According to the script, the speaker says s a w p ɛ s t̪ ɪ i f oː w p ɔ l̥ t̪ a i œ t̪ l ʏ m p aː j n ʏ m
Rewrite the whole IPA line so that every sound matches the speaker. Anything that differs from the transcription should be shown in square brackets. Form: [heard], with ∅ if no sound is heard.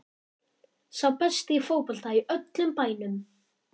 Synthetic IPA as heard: s a w p ɛ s t̪ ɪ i f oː w p ɔ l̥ t̪ a i œ t̪ l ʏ m p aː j n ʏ m